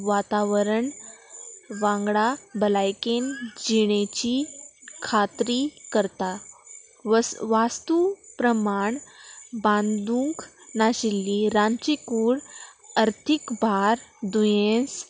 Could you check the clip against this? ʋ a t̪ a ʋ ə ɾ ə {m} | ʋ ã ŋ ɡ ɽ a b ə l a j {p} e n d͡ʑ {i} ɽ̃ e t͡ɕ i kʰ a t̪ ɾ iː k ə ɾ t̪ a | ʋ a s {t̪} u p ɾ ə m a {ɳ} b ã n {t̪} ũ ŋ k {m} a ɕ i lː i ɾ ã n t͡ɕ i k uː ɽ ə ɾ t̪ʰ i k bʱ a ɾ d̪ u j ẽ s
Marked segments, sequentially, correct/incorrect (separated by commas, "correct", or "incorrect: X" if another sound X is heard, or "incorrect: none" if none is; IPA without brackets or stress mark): incorrect: ɳ, incorrect: k, correct, correct, correct, incorrect: d̪, incorrect: n